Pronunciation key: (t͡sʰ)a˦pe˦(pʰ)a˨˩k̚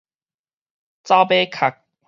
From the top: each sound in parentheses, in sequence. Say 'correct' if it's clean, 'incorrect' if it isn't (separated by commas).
incorrect, incorrect